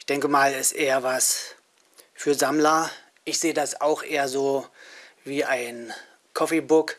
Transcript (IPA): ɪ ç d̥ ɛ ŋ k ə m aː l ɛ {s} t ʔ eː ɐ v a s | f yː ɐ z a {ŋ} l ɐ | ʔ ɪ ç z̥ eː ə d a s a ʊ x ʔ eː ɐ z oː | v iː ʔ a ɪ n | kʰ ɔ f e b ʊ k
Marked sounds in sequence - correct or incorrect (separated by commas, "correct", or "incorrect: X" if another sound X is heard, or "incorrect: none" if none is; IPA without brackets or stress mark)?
correct, incorrect: m